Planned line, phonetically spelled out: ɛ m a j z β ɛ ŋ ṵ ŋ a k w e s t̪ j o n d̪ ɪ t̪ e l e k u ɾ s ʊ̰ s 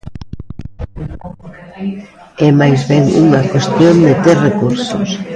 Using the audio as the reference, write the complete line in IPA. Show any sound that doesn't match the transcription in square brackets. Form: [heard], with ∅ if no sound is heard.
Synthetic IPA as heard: ɛ m a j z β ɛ ŋ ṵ ŋ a k w e s t̪ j o n d̪ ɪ t̪ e [r] e k u ɾ s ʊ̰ s

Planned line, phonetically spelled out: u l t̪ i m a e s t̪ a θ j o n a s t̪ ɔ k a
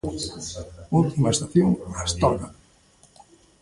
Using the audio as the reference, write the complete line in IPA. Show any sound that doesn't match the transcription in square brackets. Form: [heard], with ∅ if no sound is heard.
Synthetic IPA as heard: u l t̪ i m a e s t̪ a θ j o [ŋ] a s t̪ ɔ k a

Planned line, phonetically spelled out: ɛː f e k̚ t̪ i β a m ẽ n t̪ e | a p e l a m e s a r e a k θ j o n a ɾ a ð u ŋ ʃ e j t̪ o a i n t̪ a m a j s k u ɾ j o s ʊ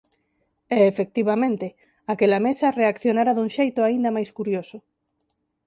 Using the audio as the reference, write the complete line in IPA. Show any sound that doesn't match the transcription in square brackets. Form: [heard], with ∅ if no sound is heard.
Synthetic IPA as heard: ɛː f e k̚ t̪ i β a m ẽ n t̪ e | a [k] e l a m e s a r e a k θ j o n a ɾ a ð u ŋ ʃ e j t̪ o a i n [d̪] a m a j s k u ɾ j o s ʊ

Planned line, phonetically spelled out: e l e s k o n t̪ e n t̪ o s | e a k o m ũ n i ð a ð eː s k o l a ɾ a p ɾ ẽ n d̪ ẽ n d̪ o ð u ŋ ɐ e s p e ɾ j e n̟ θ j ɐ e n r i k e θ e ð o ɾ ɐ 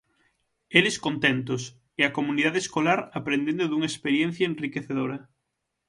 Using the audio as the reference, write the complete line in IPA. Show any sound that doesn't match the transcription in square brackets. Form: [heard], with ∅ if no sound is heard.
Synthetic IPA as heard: e l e s k o n t̪ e n t̪ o s | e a k o m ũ n i ð a ð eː s k o l a ɾ a p ɾ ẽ n d̪ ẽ n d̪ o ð u ŋ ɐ e s p e ɾ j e n̟ θ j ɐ e n r i k e θ e ð o ɾ ɐ

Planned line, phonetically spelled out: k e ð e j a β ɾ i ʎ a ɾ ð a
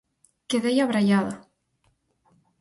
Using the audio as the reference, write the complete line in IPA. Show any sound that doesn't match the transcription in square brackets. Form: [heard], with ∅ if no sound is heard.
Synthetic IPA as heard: k e ð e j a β ɾ [a] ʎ a [∅] ð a

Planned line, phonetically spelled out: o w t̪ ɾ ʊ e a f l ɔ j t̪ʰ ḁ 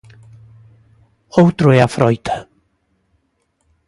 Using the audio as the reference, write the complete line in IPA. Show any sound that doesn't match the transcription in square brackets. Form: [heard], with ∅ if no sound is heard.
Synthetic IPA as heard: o w t̪ ɾ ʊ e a f [ɾ] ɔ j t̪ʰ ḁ

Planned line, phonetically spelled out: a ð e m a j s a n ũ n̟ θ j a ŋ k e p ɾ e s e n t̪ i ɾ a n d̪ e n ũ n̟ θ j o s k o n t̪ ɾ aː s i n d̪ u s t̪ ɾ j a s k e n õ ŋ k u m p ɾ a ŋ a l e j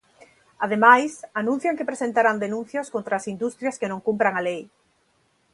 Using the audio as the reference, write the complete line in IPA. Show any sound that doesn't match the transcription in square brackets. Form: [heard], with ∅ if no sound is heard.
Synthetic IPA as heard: a ð e m a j s a n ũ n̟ θ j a ŋ k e p ɾ e s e n t̪ [a] ɾ a n d̪ e n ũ n̟ θ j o s k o n t̪ ɾ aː s i n d̪ u s t̪ ɾ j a s k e n õ ŋ k u m p ɾ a ŋ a l e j

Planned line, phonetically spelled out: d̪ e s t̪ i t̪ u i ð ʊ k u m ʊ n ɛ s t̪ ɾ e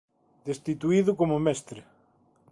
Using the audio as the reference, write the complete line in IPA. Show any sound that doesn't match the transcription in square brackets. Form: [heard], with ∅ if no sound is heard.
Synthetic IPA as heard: d̪ e s t̪ i t̪ u i ð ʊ k [o] m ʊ [m] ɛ s t̪ ɾ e

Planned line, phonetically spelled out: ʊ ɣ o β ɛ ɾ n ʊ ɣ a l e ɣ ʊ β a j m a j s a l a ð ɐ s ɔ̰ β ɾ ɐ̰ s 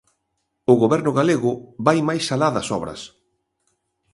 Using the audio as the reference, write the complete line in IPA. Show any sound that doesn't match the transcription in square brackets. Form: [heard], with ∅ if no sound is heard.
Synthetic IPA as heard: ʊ ɣ o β ɛ ɾ n ʊ ɣ a l e ɣ ʊ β a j m a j s a l a ð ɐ s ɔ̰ β ɾ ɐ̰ s

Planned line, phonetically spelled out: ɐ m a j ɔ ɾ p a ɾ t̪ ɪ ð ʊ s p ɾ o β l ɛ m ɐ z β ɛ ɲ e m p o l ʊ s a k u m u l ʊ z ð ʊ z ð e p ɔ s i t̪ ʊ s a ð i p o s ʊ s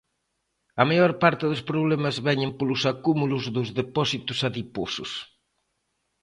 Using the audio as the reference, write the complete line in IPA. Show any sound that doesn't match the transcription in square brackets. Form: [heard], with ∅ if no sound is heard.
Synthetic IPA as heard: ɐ m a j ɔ ɾ p a ɾ t̪ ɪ ð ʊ s p ɾ o β l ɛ m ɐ z β ɛ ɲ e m p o l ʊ s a k u m u l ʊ z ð ʊ z ð e p ɔ s i t̪ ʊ s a ð i p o s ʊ s

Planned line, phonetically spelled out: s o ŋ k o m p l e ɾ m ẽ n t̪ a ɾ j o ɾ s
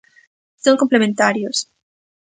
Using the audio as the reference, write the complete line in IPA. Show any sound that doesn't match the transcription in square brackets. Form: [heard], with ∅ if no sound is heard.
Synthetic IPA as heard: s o ŋ k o m p l e [∅] m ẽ n t̪ a ɾ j o [∅] s

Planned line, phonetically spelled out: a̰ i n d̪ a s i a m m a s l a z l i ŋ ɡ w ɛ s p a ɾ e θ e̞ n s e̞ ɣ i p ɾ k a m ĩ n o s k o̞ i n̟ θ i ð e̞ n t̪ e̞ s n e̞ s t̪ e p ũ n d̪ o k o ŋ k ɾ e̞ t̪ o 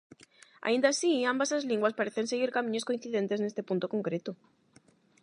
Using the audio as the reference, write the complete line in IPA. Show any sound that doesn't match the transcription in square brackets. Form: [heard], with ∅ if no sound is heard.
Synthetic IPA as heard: a̰ i n d̪ a s i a m [b] a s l a z l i ŋ ɡ w [a] s p a ɾ e θ e̞ n s e̞ ɣ i [∅] ɾ k a m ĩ [ɲ] o s k o̞ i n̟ θ i ð e̞ n t̪ e̞ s n e̞ s t̪ e p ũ n [t̪] o k o ŋ k ɾ e̞ t̪ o

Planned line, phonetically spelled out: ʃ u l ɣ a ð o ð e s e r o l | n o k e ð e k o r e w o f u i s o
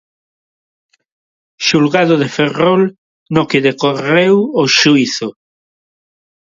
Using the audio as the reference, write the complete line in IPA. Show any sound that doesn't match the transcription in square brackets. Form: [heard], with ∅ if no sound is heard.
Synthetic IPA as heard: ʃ u l ɣ a ð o ð e [f] e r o l | n o k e ð e k o r e w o [ʃ] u i [θ] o

